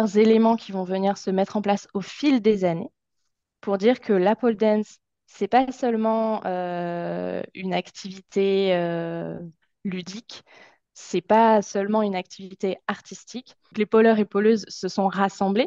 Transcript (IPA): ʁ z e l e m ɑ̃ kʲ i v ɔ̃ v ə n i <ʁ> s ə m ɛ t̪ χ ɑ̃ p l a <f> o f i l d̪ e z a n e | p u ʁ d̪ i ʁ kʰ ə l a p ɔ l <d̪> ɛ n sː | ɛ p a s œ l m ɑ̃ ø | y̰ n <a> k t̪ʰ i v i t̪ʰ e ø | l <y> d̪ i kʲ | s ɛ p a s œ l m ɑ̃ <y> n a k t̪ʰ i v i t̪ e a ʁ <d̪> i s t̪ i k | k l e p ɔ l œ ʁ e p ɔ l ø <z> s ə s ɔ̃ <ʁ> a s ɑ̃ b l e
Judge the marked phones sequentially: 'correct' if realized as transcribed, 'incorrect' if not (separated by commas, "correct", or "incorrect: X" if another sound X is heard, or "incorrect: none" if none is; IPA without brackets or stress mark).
correct, incorrect: s, correct, correct, correct, correct, incorrect: t̪, correct, correct